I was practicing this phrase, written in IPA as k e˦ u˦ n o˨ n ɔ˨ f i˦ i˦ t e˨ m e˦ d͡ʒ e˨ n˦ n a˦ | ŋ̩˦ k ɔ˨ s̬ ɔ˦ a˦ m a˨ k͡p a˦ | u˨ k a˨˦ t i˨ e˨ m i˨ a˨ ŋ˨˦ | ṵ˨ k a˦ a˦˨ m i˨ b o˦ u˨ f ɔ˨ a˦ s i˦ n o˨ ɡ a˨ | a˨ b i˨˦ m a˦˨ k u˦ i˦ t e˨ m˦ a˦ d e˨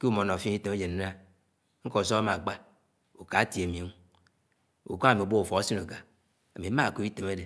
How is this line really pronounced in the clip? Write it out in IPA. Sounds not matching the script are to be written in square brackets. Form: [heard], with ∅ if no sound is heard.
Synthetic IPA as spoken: k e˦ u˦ [m] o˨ n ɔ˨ f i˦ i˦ t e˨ m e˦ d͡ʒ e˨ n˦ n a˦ | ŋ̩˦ k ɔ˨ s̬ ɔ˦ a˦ m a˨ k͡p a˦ | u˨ k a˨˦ t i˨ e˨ m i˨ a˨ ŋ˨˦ | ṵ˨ k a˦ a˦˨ m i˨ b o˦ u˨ f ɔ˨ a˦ s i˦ n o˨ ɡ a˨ | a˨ [m] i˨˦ m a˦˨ k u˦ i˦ t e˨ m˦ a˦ d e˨

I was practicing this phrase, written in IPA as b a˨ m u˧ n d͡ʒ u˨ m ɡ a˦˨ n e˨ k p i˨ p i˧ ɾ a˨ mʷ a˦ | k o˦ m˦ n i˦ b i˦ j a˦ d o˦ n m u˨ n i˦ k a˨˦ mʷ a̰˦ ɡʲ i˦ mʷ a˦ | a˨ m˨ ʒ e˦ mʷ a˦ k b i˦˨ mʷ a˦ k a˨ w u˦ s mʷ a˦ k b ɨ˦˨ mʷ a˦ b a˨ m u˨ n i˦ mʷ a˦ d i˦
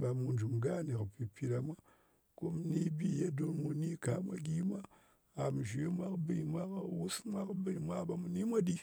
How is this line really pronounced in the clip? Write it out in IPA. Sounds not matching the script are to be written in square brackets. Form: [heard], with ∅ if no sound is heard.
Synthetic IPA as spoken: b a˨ m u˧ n d͡ʒ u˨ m ɡ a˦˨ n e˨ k p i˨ p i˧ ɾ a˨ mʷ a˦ | k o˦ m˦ n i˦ b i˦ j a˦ d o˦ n m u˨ n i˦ k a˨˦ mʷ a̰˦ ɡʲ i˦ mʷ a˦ | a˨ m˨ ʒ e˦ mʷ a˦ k b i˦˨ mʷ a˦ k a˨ w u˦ s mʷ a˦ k b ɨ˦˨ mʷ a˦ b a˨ m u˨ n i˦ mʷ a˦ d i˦

